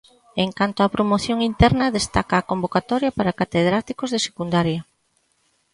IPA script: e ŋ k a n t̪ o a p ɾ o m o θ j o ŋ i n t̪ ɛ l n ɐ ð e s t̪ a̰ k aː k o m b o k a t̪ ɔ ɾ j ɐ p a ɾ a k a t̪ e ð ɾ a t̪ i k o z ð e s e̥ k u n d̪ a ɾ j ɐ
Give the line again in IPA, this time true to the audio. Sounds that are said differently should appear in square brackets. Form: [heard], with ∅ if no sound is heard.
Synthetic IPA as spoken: e ŋ k a n t̪ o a p ɾ o m o θ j o ŋ i n t̪ ɛ [ɾ] n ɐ ð e s t̪ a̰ k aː k o m b o k a t̪ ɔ ɾ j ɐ p a ɾ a k a t̪ e ð ɾ a t̪ i k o z ð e s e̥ k u n d̪ a ɾ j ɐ